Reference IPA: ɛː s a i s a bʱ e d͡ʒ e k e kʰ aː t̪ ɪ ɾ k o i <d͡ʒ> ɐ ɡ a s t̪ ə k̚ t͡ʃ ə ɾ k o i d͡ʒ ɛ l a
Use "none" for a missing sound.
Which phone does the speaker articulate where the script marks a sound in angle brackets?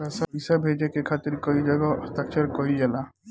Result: d͡ʒ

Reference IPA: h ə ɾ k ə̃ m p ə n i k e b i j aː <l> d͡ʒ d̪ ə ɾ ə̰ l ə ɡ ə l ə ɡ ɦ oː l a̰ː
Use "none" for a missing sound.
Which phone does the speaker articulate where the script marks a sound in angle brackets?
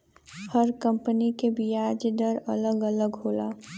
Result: none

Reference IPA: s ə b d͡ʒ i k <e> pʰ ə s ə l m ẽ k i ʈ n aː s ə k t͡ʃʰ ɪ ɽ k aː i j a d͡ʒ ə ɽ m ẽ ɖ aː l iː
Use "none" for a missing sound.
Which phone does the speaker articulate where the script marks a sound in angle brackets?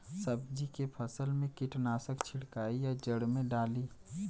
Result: e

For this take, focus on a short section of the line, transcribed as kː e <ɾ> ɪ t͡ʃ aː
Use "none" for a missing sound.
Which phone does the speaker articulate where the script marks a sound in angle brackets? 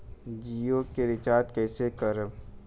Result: ɾ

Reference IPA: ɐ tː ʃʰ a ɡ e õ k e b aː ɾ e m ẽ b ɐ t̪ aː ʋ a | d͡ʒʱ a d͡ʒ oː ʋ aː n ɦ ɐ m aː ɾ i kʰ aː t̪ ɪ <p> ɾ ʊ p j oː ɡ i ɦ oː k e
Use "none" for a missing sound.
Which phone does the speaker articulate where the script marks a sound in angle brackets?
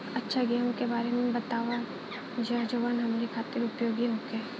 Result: none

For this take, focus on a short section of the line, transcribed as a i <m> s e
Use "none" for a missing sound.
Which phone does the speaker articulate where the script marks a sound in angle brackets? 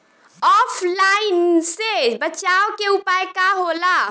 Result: n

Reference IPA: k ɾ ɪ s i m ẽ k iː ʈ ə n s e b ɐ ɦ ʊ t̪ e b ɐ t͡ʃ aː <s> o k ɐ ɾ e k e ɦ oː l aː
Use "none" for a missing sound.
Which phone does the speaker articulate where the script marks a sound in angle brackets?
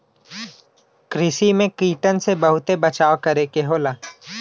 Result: none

